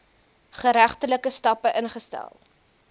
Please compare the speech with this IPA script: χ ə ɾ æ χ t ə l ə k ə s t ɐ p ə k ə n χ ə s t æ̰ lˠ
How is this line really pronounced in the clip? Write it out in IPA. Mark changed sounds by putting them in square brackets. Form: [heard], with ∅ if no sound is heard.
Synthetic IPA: χ ə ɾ æ χ t ə l ə k ə s t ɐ p ə [ʔ] ə n χ ə s t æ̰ lˠ